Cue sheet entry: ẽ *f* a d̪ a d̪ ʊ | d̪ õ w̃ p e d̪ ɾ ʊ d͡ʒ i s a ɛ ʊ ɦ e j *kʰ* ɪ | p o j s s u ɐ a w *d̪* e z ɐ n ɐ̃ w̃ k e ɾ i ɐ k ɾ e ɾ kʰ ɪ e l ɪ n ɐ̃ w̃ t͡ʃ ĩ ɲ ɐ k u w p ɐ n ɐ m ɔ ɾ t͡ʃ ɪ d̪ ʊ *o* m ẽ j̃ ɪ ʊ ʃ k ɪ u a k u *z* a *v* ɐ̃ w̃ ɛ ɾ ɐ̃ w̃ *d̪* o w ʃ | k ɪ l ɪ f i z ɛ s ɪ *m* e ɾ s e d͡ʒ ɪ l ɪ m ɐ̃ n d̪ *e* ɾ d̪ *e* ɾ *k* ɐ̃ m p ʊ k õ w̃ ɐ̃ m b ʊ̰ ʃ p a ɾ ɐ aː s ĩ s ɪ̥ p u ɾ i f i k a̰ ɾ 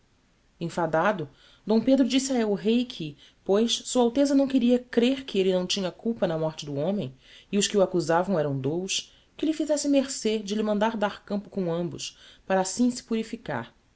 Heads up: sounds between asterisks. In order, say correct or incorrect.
correct, correct, incorrect, incorrect, correct, correct, correct, correct, incorrect, incorrect, correct

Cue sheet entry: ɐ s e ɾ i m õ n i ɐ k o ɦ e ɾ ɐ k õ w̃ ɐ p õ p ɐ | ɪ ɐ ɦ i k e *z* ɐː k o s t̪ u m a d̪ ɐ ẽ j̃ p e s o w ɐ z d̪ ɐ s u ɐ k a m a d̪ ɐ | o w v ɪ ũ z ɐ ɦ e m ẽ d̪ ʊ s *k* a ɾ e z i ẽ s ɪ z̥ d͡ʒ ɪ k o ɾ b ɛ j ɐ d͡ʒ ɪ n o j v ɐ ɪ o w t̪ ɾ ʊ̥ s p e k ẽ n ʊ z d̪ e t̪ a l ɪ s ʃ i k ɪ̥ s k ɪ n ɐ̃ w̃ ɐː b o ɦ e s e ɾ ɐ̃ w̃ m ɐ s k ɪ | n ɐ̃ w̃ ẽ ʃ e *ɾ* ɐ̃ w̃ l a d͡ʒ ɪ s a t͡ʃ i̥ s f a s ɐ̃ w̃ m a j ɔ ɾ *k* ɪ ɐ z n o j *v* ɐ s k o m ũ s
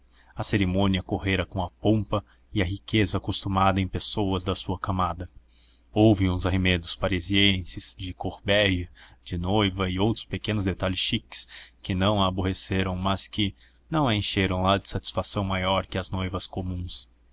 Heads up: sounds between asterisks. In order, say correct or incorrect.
correct, incorrect, correct, correct, correct

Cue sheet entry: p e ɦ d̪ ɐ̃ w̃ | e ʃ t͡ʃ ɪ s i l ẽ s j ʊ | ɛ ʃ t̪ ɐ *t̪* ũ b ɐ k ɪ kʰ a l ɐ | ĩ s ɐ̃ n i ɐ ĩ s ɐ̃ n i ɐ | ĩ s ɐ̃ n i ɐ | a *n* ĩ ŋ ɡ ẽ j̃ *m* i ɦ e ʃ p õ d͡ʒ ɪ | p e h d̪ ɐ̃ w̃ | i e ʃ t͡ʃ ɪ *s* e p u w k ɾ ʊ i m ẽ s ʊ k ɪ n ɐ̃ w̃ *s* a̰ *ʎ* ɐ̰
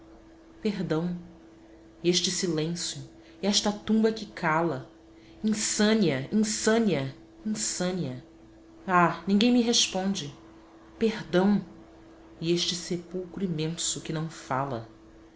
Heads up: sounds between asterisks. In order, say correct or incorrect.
correct, correct, correct, correct, incorrect, incorrect

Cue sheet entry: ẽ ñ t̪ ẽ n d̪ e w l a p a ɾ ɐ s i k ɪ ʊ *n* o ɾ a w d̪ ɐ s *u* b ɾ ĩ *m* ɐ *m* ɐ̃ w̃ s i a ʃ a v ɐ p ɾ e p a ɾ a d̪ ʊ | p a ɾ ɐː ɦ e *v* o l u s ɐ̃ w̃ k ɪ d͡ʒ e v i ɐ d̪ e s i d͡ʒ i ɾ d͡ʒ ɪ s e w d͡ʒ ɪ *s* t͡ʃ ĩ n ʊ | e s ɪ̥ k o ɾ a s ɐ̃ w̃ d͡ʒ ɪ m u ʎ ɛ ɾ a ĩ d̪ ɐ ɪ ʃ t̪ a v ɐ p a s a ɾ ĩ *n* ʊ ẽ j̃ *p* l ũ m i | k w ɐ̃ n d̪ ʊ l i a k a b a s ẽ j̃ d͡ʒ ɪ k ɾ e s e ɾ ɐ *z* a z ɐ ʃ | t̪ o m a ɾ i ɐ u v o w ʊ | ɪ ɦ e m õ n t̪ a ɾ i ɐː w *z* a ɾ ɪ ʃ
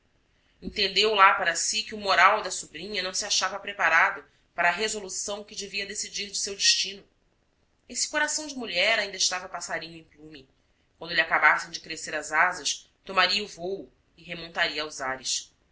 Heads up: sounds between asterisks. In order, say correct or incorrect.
incorrect, correct, incorrect, incorrect, incorrect, incorrect, incorrect, correct, correct, correct

